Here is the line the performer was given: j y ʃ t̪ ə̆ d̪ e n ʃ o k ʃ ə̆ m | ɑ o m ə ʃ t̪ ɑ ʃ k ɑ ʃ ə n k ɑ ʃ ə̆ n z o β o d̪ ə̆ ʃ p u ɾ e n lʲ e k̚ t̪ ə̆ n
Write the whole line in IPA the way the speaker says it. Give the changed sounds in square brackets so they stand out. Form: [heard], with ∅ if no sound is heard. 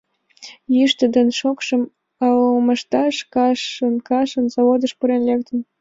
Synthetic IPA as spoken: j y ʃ t̪ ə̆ d̪ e n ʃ o k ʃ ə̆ m | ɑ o m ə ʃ t̪ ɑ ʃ k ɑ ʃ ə n k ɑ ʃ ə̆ n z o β o d̪ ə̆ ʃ p u ɾ e n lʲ e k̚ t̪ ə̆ n